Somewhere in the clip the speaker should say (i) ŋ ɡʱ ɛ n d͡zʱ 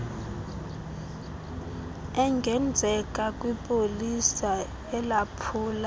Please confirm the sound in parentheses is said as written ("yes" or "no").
no